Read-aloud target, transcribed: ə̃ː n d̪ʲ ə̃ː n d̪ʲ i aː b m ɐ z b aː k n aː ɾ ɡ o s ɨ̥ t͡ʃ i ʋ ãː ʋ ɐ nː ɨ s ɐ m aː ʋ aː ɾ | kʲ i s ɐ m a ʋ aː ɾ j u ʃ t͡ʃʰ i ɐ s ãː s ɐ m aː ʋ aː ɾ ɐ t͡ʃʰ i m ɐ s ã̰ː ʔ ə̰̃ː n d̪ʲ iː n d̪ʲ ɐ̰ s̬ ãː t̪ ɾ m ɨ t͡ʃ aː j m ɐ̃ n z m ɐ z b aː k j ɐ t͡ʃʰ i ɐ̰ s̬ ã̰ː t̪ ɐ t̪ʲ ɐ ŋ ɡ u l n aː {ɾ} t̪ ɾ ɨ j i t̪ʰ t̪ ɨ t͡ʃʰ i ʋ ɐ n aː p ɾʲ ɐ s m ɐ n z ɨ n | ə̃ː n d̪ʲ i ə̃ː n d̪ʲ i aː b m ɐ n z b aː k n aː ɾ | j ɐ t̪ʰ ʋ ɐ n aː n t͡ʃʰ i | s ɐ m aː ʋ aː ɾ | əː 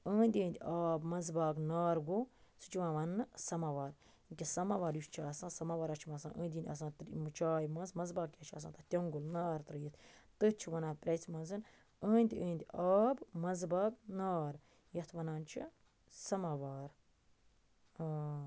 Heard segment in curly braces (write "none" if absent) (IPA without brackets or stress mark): ɾ